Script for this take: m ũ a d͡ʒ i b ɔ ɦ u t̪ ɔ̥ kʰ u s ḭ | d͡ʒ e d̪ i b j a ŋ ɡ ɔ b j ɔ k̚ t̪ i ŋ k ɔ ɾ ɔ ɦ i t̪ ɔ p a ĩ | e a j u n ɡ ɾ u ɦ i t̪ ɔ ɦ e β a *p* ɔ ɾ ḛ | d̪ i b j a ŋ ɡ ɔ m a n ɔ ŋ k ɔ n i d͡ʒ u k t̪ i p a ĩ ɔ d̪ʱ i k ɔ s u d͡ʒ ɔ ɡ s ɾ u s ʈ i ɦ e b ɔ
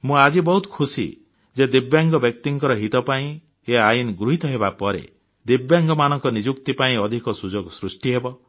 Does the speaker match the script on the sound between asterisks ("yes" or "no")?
yes